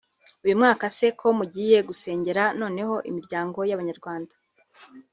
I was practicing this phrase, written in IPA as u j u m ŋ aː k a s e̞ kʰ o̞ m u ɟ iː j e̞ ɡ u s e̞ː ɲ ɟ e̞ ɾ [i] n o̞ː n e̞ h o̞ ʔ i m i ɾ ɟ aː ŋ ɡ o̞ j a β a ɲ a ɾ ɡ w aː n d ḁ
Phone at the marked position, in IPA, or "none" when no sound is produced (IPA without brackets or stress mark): a